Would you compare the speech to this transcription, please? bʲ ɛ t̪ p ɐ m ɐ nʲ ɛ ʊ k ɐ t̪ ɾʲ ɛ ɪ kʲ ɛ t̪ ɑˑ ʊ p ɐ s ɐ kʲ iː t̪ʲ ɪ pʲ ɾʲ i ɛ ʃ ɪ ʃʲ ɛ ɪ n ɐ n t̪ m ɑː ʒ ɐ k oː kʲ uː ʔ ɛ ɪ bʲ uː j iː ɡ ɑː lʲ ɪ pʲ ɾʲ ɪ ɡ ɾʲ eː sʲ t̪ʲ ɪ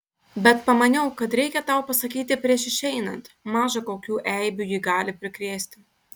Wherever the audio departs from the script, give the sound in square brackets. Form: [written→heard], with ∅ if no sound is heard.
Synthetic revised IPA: bʲ ɛ t̪ p ɐ m ɐ nʲ ɛ ʊ k ɐ t̪ ɾʲ ɛ ɪ kʲ ɛ t̪ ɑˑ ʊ p ɐ s ɐ kʲ iː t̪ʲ ɪ pʲ ɾʲ i ɛ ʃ ɪ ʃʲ ɛ ɪ n ɐ n t̪ m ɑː ʒ ɐ k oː kʲ uː ʔ ɛ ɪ bʲ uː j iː ɡ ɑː lʲ ɪ pʲ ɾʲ ɪ [ɡ→k] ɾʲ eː sʲ t̪ʲ ɪ